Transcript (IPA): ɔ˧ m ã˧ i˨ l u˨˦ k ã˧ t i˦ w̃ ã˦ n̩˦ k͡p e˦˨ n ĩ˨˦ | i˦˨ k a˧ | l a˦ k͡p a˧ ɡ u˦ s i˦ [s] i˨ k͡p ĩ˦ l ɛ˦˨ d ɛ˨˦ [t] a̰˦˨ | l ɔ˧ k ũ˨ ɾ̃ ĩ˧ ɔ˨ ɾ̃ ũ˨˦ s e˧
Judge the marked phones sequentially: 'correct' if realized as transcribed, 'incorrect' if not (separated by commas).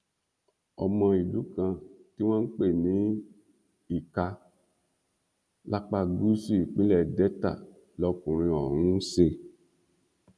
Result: incorrect, correct